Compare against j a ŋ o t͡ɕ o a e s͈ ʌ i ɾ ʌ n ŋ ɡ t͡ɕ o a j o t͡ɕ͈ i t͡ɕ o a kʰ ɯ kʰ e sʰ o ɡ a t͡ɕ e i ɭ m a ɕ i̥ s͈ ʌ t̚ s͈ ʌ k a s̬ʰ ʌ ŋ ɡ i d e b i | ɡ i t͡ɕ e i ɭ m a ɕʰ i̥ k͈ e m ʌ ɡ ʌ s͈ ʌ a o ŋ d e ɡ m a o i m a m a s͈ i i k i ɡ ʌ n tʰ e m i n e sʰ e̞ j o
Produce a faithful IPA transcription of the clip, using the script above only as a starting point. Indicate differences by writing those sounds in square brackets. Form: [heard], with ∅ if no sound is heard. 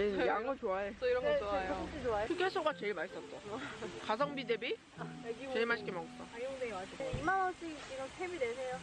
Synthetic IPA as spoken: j a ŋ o t͡ɕ o a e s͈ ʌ i ɾ ʌ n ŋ ɡ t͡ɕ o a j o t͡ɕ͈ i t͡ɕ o a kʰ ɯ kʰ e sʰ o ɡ a t͡ɕ e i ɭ m a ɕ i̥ s͈ ʌ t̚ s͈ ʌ k a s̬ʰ ʌ ŋ [b] i d e b i | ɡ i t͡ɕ e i ɭ m a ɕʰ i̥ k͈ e m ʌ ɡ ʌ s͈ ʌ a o ŋ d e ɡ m a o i m a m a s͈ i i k i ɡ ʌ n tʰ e m i [d] e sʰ e̞ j o

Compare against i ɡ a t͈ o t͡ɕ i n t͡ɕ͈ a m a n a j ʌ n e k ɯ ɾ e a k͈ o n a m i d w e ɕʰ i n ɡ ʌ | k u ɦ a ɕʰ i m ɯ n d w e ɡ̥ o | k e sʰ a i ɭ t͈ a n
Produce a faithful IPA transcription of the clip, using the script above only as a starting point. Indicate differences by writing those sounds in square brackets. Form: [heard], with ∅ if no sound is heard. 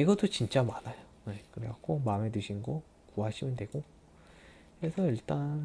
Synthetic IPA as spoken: i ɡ [ʌ] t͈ o t͡ɕ i n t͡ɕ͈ a m a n a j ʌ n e k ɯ ɾ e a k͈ o [m] a m [e] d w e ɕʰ i n ɡ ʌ | k u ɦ a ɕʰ i m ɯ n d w e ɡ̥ o | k e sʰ [ʌ] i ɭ t͈ a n

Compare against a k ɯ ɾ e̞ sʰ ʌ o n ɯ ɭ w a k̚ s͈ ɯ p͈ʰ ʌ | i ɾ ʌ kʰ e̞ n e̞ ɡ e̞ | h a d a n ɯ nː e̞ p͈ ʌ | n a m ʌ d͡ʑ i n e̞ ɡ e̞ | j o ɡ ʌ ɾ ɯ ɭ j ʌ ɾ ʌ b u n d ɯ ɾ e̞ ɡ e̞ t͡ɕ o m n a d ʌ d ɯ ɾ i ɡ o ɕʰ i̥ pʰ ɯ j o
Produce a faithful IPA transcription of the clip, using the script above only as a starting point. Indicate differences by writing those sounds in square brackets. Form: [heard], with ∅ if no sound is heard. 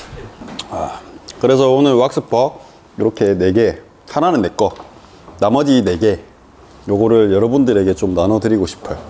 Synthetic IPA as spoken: a k ɯ ɾ e̞ sʰ ʌ o n ɯ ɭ w a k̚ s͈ ɯ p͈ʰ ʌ | i ɾ ʌ kʰ e̞ n e̞ ɡ e̞ | h a [n] a n ɯ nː e̞ [k͈] ʌ | n a m ʌ d͡ʑ i n e̞ ɡ e̞ | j o ɡ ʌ ɾ ɯ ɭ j ʌ ɾ ʌ b u n d ɯ ɾ e̞ ɡ e̞ t͡ɕ o m n a [n] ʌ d ɯ ɾ i ɡ o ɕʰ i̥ pʰ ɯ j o

